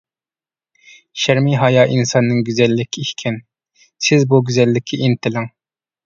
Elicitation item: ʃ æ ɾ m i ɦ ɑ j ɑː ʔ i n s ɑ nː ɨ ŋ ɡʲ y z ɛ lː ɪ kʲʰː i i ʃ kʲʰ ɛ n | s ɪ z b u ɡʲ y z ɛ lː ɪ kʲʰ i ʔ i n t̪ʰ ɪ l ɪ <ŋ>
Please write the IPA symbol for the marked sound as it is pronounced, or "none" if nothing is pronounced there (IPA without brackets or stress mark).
ŋ